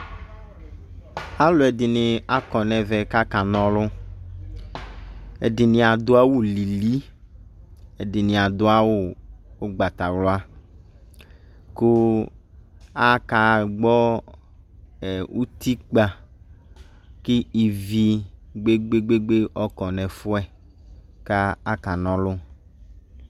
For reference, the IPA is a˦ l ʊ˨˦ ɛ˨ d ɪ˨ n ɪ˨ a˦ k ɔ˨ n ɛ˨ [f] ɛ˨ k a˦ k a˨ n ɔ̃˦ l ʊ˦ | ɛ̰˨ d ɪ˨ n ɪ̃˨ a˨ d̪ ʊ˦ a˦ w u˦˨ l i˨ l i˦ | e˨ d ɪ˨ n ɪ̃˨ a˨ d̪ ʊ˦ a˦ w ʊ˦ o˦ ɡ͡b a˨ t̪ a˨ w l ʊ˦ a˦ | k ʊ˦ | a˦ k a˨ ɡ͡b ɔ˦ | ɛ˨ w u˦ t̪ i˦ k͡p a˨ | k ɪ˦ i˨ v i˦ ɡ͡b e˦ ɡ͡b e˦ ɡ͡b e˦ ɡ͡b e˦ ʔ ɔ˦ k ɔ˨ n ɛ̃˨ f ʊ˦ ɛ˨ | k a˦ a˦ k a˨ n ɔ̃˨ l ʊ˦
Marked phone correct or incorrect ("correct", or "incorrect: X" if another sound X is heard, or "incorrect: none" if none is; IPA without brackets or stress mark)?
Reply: incorrect: v